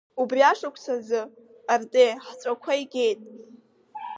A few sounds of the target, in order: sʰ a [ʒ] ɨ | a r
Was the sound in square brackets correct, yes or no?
no